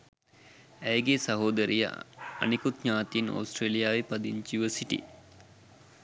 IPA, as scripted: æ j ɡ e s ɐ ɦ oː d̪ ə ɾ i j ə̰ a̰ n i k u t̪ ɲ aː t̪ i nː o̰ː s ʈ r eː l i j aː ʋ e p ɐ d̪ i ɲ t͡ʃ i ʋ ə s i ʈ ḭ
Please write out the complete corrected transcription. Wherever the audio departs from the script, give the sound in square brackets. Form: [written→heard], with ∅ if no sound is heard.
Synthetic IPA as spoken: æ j ɡ e s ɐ ɦ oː d̪ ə ɾ i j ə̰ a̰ n i k u t̪ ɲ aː t̪ i [nː→n] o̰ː s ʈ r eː l i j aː ʋ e p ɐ d̪ i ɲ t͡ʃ i ʋ ə s i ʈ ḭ